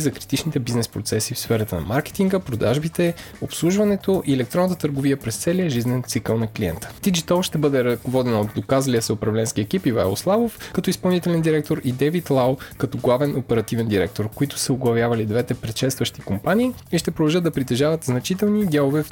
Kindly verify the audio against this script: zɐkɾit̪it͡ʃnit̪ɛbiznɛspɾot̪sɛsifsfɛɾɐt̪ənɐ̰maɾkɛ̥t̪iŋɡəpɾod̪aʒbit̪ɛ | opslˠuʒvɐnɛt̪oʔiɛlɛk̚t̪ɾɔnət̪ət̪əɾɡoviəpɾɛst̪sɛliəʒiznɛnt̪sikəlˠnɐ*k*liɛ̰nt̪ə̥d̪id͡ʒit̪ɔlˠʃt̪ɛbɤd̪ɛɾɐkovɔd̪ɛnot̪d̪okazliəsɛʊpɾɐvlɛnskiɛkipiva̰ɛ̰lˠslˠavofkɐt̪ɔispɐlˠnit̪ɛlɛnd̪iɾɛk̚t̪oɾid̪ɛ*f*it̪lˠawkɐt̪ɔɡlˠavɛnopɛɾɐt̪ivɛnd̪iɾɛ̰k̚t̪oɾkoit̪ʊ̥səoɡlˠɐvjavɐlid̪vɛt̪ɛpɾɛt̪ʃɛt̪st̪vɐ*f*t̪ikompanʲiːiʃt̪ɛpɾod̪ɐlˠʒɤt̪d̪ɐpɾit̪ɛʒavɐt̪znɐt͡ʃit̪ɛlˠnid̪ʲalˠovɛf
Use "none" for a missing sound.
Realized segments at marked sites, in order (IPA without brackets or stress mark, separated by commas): k, v, ʃ